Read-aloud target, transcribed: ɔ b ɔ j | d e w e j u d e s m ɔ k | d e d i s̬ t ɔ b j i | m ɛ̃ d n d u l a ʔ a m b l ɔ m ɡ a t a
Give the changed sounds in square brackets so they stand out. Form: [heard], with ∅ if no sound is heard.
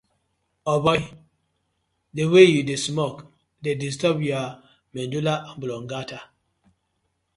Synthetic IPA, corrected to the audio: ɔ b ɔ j | d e w e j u d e s m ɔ k | d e d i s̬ t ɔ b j [a] | m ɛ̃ [∅] n d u l a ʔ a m b l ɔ [ŋ] ɡ a t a